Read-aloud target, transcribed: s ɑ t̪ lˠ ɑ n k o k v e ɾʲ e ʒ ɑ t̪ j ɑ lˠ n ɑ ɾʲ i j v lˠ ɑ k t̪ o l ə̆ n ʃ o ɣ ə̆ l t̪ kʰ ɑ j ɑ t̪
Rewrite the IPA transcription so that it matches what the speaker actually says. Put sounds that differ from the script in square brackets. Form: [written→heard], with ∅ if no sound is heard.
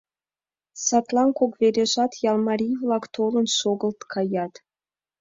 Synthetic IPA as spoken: s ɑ t̪ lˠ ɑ n k o k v e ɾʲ e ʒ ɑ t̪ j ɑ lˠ [n→m] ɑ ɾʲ i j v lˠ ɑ k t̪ o l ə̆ n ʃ o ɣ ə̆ l t̪ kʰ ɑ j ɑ t̪